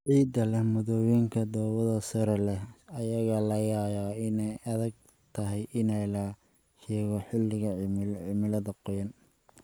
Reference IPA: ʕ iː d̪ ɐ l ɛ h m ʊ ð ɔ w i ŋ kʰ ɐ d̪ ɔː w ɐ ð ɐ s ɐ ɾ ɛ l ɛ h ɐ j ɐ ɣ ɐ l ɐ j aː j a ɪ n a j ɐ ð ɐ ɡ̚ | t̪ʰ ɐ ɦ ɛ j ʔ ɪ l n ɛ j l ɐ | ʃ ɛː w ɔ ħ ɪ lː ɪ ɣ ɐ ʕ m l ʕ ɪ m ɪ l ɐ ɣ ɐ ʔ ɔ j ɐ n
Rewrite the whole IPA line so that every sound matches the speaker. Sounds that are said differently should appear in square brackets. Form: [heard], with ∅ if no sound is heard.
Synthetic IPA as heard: ʕ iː d̪ ɐ l ɛ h m ʊ ð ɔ w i ŋ kʰ ɐ d̪ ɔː w ɐ ð ɐ s ɐ ɾ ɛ l ɛ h ɐ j ɐ ɣ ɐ l ɐ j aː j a ɪ n [ɛ] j ɐ ð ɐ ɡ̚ | t̪ʰ ɐ ɦ ɛ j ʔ ɪ [∅] n ɛ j l ɐ | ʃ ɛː [ɣ] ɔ ħ ɪ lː ɪ ɣ ɐ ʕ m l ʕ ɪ m ɪ l ɐ [ð] ɐ [q] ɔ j ɐ n

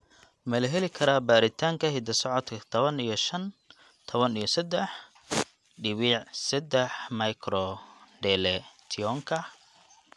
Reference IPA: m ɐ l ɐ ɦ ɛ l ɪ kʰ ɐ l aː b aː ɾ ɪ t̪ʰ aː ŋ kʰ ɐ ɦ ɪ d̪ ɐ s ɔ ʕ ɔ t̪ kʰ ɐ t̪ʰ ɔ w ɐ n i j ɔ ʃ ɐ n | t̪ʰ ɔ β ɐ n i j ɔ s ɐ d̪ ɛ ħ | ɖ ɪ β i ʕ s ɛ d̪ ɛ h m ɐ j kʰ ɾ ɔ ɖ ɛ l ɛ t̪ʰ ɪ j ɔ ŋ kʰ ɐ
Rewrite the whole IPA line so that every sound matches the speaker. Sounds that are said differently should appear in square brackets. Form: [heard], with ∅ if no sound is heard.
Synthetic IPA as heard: m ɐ l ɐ ɦ ɛ l ɪ kʰ ɐ [ɾ] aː b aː ɾ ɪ t̪ʰ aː ŋ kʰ ɐ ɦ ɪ d̪ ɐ s ɔ ʕ ɔ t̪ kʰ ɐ t̪ʰ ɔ [β] ɐ n i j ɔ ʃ ɐ n | t̪ʰ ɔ β ɐ n i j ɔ s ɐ d̪ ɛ ħ | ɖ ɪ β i ʕ s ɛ d̪ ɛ [ħ] m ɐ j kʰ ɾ ɔ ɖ ɛ l ɛ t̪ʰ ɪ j ɔ ŋ kʰ ɐ

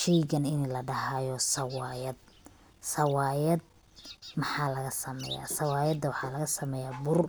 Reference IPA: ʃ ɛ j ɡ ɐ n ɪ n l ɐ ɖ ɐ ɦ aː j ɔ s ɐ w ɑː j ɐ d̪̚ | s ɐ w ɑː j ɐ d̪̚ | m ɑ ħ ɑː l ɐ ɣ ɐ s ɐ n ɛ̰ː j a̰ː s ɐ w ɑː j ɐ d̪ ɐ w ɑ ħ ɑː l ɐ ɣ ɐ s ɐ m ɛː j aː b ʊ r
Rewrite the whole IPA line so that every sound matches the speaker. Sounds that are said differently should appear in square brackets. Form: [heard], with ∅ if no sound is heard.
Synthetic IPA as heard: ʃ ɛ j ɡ ɐ n ɪ n l ɐ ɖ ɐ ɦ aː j ɔ s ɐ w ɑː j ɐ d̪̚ | s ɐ w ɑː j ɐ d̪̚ | m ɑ ħ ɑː l ɐ ɣ ɐ s ɐ [m] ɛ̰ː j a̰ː s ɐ w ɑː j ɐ d̪ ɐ w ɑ ħ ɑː l ɐ ɣ ɐ s ɐ m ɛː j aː b ʊ r

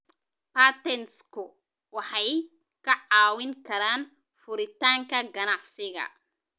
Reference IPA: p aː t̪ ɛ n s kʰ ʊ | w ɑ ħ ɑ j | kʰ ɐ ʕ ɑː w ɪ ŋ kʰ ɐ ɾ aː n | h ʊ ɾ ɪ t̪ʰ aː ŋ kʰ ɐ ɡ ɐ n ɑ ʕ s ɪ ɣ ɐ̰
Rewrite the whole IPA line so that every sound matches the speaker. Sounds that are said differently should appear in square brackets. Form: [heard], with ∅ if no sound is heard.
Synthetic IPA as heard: p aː t̪ ɛ n s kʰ ʊ | w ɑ ħ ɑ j | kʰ ɐ ʕ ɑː w ɪ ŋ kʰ ɐ ɾ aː n | [f] ʊ ɾ ɪ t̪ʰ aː ŋ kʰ ɐ ɡ ɐ n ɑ ʕ s ɪ ɣ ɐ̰

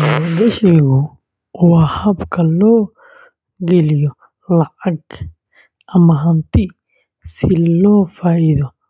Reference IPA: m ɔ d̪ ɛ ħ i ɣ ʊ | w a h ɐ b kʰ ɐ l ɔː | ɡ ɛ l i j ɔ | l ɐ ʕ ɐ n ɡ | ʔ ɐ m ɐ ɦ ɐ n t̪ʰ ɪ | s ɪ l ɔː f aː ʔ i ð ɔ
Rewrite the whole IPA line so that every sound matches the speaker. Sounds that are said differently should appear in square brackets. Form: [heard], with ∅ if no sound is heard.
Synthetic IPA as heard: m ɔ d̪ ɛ [ʃ] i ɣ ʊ | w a h ɐ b kʰ ɐ l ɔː | ɡ ɛ l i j ɔ | l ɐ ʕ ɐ [∅] ɡ | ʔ ɐ m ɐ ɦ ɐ n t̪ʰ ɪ | s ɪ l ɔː f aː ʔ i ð ɔ

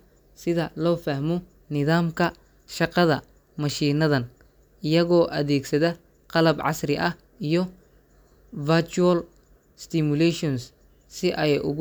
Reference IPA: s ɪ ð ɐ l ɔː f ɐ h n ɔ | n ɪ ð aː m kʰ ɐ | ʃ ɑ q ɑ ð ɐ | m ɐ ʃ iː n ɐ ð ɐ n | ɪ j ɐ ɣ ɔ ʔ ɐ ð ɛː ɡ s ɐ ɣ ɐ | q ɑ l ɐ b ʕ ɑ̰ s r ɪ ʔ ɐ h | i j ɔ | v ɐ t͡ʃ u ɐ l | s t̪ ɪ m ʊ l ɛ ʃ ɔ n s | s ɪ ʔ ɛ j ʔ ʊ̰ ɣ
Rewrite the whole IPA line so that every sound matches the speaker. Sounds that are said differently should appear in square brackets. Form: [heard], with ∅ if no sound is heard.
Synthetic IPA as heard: s ɪ ð ɐ l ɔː f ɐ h [m] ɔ | n ɪ ð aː m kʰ ɐ | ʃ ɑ q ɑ ð ɐ | m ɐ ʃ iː n ɐ ð ɐ n | ɪ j ɐ ɣ [ɔː] ʔ ɐ ð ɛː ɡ s ɐ [ð] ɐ | q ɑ l ɐ b ʕ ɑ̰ s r ɪ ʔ ɐ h | i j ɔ | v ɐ t͡ʃ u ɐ l | s t̪ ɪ m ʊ l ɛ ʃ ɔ n s | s ɪ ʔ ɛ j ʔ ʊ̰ ɣ

